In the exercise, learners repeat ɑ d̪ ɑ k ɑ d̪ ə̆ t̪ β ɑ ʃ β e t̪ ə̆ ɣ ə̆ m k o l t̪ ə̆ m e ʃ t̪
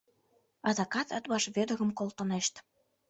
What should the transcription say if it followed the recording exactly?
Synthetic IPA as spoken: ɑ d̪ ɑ k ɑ t̪ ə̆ t̪ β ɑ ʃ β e d̪ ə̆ ɣ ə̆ m k o l t̪ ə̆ n e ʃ t̪